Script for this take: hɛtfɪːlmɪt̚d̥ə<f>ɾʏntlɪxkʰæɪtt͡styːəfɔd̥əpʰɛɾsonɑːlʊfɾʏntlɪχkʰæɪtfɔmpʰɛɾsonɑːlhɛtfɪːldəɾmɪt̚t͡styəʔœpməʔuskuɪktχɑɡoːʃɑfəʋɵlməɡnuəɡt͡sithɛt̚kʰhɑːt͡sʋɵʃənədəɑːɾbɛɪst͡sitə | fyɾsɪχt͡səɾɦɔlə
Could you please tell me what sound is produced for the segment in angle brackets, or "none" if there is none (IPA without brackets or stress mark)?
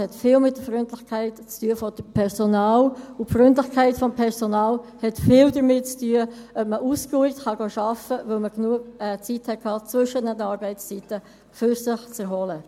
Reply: f